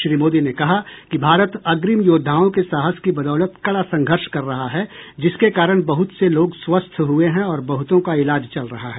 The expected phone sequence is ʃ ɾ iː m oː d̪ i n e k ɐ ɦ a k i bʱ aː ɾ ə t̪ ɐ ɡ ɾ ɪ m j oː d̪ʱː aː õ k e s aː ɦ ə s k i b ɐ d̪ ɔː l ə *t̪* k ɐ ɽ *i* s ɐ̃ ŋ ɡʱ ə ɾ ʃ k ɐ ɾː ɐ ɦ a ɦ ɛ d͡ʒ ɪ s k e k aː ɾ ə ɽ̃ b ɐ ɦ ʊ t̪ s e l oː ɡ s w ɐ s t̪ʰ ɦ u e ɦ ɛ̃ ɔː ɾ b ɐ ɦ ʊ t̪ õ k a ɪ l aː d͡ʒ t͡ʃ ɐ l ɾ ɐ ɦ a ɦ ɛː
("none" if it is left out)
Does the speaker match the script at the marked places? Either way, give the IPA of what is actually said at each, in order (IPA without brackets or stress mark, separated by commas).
t̪, a